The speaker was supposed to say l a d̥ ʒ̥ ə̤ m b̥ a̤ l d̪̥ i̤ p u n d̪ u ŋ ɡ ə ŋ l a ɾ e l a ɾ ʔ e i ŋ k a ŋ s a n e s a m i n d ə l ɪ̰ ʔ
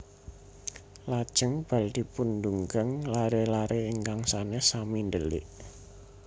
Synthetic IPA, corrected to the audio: l a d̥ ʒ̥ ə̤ ŋ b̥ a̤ l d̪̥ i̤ p u n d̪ u ŋ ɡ ə ŋ l a ɾ e l a ɾ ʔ e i ŋ k a ŋ s a n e s a m i n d ə l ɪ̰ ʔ